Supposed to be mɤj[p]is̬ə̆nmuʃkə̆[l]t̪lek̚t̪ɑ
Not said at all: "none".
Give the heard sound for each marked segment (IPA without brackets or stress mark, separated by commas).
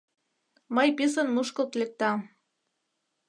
p, l